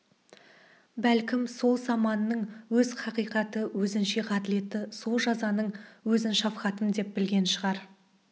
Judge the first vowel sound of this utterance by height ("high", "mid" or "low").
low